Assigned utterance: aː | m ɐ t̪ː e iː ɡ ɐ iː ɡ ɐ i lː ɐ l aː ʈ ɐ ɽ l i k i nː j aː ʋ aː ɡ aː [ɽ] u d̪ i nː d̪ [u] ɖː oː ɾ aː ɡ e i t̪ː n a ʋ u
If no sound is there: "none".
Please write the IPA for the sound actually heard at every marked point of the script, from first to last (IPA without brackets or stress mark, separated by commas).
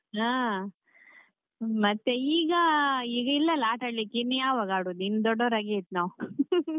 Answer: ɽ, ɔ